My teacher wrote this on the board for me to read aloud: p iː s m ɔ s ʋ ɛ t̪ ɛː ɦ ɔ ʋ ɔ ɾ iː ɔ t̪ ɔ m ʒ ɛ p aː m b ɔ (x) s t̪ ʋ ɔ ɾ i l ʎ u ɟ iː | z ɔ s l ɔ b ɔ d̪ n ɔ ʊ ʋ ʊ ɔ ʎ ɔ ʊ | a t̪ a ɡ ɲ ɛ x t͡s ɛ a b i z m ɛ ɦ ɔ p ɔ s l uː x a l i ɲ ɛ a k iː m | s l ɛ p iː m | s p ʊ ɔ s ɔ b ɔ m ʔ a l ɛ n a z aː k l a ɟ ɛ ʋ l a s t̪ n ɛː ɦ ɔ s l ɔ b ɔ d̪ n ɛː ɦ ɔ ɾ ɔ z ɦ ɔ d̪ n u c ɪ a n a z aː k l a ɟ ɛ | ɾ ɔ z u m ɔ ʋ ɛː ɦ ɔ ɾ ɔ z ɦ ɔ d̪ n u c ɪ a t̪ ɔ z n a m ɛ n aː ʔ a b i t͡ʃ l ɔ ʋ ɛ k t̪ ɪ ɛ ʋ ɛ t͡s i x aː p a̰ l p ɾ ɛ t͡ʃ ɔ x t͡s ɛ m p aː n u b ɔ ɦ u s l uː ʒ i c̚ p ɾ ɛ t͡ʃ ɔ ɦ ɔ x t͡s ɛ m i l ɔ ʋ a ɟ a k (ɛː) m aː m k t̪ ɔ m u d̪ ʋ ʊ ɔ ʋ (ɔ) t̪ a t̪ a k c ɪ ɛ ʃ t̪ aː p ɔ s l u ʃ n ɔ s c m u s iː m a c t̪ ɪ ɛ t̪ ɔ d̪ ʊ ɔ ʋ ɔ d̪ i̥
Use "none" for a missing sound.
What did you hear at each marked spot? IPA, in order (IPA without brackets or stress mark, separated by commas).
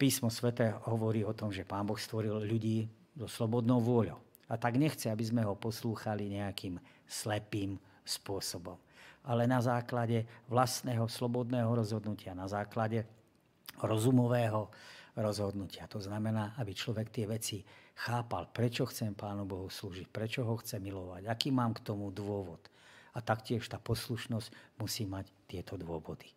x, iː, ɔ